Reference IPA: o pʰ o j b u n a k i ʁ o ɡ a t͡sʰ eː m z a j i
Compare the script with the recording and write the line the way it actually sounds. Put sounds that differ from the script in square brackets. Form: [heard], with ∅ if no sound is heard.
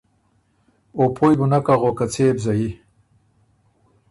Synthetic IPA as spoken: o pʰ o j b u n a k [a] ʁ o [k] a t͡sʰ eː [b] z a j i